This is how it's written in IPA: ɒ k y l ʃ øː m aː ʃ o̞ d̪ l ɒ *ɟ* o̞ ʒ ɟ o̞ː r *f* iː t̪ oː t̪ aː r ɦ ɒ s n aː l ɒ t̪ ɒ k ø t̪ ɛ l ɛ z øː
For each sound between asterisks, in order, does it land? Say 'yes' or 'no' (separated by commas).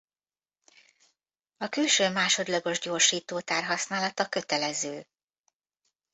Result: no, no